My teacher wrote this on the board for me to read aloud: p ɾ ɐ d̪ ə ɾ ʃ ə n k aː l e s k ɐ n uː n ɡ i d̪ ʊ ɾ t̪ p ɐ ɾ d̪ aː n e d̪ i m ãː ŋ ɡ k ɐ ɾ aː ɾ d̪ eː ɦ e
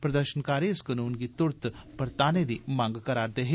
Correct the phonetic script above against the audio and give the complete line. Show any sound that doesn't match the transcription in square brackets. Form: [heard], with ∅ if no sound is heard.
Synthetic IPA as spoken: p ɾ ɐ d̪ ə ɾ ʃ ə n k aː [ɾ] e s k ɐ n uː n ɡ i [t̪] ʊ ɾ t̪ p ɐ ɾ [t̪] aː n e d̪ i m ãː ŋ ɡ k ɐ ɾ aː ɾ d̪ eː ɦ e